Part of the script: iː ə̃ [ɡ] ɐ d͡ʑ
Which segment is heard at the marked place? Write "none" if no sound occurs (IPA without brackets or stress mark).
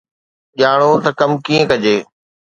k